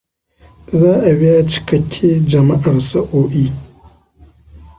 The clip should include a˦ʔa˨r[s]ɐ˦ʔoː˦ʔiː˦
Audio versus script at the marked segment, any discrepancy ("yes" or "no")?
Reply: no